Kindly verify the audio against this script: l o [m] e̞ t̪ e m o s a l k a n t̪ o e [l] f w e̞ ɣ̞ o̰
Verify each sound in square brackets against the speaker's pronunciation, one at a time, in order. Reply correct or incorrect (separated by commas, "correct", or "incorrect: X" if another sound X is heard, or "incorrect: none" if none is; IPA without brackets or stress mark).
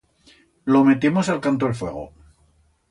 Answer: correct, correct